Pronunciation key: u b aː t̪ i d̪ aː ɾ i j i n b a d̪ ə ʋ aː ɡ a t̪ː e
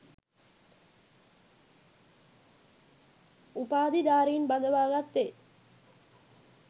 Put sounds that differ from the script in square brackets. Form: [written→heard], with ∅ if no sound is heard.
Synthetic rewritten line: u [b→p] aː [t̪→d̪] i d̪ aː ɾ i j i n b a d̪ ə ʋ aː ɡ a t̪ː e

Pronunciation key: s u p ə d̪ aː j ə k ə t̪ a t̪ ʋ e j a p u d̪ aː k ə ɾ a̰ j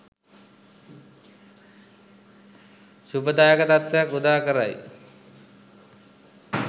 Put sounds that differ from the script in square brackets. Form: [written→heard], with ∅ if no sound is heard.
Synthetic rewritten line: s u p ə d̪ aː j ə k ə t̪ a t̪ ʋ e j a [p→k] u d̪ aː k ə ɾ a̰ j

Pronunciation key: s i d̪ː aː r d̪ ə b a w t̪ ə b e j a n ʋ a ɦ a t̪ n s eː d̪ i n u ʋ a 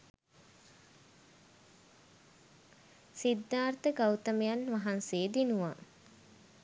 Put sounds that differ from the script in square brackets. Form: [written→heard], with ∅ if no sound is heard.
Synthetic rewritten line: s i d̪ː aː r [d̪→t̪] ə [b→ɡ] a w t̪ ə [b→m] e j a n ʋ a ɦ a [t̪→∅] n s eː d̪ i n u ʋ a

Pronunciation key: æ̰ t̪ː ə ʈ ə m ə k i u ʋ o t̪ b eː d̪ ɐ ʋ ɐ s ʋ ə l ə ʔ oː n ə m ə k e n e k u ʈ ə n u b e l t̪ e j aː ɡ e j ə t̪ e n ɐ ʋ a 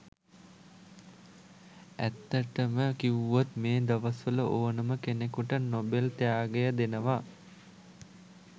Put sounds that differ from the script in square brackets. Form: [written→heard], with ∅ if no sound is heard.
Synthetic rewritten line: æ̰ t̪ː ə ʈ ə m ə k i u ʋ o t̪ [b→m] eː d̪ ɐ ʋ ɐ s ʋ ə l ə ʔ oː n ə m ə k e n e k u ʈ ə n [u→o] b e l t̪ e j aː ɡ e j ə [t̪→d̪] e n [ɐ→ə] ʋ a

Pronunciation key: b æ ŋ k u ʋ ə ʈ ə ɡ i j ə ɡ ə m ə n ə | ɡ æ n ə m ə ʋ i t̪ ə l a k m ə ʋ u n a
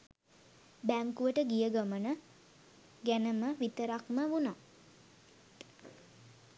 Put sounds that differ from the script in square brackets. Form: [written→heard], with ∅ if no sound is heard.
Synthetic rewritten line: b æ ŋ k u ʋ ə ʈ ə ɡ i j ə ɡ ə m ə n ə | ɡ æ n ə m ə ʋ i t̪ ə [l→ɾ] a k m ə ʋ u n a

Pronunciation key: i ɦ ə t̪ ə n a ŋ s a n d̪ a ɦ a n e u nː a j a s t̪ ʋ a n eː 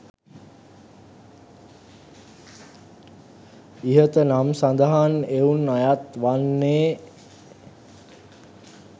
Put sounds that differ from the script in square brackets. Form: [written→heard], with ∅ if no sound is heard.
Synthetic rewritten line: i ɦ ə t̪ ə n a [ŋ→m] s a n d̪ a ɦ a n e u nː a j a [s→∅] t̪ ʋ a [n→nː] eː

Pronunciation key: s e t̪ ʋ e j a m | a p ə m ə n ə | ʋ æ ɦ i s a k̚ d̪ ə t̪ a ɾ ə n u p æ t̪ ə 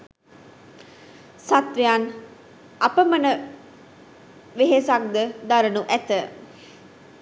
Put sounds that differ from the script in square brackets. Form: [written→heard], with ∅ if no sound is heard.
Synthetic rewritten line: s [e→a] t̪ ʋ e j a [m→n] | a p ə m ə n ə | ʋ [æ→e] ɦ [i→e] s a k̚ d̪ ə [t̪→d̪] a ɾ ə n u [p→ʔ] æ t̪ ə

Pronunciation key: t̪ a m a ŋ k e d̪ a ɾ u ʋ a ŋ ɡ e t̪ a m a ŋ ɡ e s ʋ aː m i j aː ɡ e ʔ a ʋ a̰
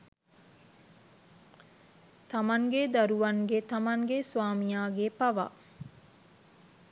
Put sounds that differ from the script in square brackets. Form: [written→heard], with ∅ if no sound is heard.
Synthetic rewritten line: t̪ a m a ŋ [k→ɡ] e d̪ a ɾ u ʋ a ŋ ɡ e t̪ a m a ŋ ɡ e s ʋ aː m i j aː ɡ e [ʔ→p] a ʋ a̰

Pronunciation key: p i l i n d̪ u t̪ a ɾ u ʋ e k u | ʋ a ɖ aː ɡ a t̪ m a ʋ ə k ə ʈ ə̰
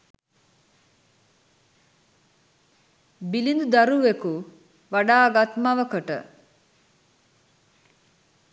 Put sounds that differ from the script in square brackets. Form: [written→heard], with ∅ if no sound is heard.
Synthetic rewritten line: [p→b] i l i n d̪ u [t̪→d̪] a ɾ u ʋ e k u | ʋ a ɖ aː ɡ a t̪ m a ʋ ə k ə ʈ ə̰

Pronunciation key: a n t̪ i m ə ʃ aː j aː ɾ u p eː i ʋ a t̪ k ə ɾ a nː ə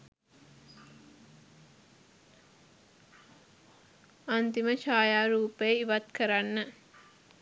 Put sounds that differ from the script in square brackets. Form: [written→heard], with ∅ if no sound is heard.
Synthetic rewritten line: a n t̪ i m ə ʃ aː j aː ɾ [u→uː] p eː i ʋ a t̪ k ə ɾ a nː ə

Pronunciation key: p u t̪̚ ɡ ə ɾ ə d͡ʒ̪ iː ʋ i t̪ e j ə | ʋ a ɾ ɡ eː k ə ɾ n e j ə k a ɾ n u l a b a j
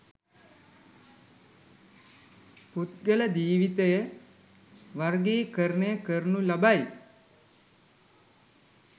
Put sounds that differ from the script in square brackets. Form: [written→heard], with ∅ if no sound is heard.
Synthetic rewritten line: p u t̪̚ ɡ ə [ɾ→l] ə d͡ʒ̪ iː ʋ i t̪ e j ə | ʋ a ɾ ɡ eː k ə ɾ n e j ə k [a→ə] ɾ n u l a b a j

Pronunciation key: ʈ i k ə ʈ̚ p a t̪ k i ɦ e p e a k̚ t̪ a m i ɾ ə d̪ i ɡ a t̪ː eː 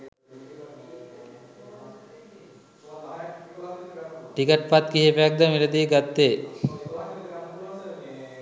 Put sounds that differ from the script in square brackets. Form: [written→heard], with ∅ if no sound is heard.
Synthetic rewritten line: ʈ i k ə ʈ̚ p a t̪ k i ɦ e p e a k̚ [t̪→d̪] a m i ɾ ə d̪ i ɡ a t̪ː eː

